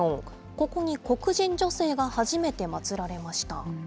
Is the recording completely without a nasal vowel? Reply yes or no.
no